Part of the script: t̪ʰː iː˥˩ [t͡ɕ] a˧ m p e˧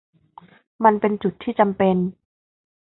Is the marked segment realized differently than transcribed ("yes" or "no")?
no